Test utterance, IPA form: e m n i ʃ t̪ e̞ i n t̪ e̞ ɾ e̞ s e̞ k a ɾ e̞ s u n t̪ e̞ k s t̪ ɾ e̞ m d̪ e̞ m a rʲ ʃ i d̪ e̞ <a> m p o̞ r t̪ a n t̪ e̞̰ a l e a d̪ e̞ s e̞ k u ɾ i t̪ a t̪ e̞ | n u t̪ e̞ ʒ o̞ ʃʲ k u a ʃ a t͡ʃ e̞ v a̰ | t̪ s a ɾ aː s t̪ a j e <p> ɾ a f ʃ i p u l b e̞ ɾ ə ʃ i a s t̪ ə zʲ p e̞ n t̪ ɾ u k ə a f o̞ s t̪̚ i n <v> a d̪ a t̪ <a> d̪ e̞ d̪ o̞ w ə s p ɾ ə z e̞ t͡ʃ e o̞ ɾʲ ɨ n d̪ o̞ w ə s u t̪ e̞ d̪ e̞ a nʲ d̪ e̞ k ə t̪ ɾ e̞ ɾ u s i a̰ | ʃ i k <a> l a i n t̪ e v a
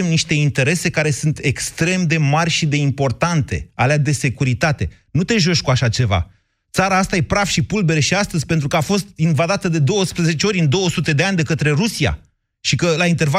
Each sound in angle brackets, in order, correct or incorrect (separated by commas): incorrect, correct, correct, incorrect, incorrect